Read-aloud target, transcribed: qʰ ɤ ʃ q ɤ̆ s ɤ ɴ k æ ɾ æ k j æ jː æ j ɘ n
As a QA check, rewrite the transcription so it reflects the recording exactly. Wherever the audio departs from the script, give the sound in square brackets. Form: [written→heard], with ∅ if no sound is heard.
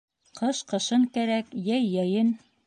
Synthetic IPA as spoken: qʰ ɤ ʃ q ɤ̆ [s→ʃ] ɤ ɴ k æ ɾ æ k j æ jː æ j ɘ n